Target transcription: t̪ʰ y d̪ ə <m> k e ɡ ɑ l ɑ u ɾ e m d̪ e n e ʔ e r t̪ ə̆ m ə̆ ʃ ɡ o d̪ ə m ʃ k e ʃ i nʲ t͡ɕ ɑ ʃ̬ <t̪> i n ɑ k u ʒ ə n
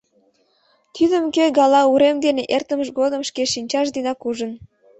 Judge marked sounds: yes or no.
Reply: yes, no

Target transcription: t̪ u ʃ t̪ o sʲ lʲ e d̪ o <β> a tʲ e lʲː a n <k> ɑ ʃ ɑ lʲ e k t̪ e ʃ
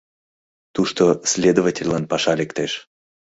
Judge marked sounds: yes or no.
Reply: no, no

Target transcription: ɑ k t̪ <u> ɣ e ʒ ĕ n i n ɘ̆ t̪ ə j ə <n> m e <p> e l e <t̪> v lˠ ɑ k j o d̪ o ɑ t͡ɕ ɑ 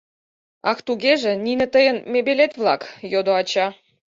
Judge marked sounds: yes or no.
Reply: yes, yes, no, yes

